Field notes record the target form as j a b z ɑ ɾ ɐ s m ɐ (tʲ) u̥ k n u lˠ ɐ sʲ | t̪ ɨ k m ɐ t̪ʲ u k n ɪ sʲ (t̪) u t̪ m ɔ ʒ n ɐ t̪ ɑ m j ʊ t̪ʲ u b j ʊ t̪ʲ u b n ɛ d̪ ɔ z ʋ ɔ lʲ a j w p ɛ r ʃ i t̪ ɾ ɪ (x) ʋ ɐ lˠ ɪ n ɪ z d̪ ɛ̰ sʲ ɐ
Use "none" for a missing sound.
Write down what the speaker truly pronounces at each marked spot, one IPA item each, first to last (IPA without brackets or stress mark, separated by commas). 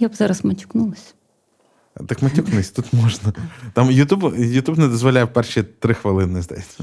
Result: tʲ, t̪, x